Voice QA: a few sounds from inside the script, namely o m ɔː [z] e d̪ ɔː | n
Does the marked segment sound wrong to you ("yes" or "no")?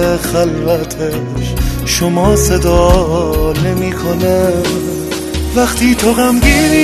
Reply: yes